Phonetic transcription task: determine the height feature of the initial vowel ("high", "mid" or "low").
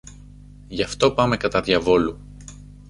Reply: low